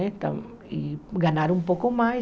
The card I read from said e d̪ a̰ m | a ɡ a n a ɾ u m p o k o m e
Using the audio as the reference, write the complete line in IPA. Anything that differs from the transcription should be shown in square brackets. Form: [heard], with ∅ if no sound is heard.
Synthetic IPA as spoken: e [t̪] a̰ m | [i] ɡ a n a ɾ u m p o k o m [a]